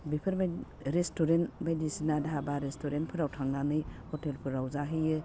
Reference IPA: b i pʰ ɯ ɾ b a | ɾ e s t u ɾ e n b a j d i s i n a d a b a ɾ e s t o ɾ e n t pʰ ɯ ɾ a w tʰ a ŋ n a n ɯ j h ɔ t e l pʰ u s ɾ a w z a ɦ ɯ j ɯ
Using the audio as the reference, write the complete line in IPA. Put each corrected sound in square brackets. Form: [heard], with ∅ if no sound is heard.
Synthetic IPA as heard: b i pʰ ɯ ɾ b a | ɾ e s t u ɾ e n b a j d i s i n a d a b a ɾ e s t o ɾ e n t pʰ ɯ ɾ a w tʰ a ŋ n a n ɯ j h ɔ t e l pʰ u [∅] ɾ a w z a ɦ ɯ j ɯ